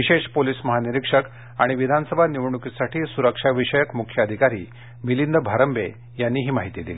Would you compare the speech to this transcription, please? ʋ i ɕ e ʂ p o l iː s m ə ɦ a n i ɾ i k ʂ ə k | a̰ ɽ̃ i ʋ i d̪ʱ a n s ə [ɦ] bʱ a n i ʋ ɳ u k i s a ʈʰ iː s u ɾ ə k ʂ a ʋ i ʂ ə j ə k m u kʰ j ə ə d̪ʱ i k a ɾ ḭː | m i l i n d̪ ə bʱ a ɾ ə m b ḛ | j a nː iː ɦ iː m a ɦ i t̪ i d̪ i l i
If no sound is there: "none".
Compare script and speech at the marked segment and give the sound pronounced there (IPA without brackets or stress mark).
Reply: none